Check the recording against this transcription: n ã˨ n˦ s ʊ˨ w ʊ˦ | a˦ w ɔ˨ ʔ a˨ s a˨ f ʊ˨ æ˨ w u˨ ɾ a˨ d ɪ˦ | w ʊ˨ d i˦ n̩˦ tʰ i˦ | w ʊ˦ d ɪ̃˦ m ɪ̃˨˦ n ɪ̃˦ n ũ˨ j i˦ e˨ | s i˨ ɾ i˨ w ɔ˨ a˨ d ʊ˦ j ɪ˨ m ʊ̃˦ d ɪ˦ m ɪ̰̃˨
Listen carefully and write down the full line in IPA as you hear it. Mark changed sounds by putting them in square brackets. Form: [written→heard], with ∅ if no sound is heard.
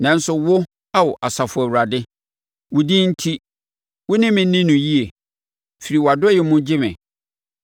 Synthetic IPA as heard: n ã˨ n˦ s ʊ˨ w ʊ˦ | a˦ w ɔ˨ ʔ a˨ s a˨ f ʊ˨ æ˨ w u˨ ɾ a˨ d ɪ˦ | w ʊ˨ d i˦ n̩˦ tʰ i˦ | w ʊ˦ [d→n] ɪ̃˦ m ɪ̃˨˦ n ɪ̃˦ n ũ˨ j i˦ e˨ | [s→f] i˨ ɾ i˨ w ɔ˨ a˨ d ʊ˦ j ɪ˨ m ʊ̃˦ [d→d͡ʑ] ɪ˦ m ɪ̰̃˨